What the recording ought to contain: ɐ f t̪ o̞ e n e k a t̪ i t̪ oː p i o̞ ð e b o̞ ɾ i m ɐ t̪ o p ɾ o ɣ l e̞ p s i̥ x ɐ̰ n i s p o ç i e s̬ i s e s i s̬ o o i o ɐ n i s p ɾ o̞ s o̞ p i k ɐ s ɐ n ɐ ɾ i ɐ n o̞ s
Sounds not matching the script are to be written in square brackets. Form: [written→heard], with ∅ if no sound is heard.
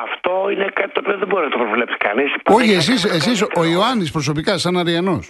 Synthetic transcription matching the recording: ɐ f t̪ o̞ [e→i] n e k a t̪ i t̪ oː p i o̞ ð e b o̞ ɾ i [m→n] ɐ t̪ o p ɾ o [ɣ→v] l e̞ p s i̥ [x→k] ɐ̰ n i s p o ç i e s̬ i s e s i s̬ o o i o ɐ n i s p ɾ o̞ s o̞ p i k ɐ s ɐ n ɐ ɾ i ɐ n o̞ s